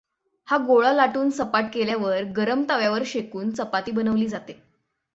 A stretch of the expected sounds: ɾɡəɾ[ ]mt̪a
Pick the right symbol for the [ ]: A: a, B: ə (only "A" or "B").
B